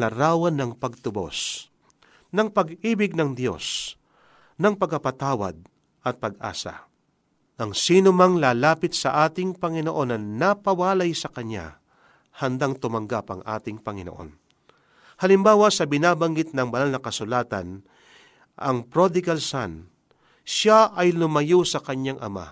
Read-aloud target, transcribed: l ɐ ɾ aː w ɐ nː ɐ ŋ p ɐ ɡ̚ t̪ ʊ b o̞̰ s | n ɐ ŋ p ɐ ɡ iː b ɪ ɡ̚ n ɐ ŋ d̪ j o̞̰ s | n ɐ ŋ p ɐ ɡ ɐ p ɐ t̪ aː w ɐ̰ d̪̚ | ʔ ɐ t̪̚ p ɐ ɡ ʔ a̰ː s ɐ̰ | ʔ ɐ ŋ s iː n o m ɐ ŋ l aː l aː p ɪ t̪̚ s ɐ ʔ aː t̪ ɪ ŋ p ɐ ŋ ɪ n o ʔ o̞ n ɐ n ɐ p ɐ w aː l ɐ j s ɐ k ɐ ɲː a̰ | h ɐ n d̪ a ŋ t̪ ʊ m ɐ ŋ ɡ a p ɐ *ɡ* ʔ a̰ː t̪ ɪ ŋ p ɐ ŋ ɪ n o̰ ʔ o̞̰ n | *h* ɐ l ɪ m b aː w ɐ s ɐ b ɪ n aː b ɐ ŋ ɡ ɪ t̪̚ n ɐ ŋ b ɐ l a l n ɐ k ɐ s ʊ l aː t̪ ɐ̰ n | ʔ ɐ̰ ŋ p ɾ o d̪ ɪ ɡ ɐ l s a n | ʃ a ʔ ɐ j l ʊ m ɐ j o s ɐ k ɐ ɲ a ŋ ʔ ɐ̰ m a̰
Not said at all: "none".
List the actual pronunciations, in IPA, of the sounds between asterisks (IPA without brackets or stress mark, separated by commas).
ŋ, h